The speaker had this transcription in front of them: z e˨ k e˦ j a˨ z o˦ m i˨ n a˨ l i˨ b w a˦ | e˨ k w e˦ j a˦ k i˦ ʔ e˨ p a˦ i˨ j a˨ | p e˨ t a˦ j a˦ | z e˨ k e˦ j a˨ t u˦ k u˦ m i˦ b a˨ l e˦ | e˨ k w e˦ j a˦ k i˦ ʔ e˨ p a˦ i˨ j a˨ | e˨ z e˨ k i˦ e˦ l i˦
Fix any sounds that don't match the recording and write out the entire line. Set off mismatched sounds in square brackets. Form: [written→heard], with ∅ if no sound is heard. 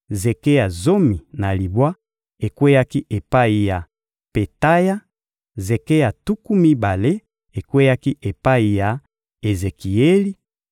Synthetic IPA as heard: z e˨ k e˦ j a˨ z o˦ m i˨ n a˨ l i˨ b w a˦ | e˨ k w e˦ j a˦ k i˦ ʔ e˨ p a˦ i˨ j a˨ | p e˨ t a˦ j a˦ | z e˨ k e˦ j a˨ t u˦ k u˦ m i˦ b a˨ l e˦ | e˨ k w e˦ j a˦ k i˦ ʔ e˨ p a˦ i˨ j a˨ | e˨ z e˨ k [i˦→i˨] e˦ l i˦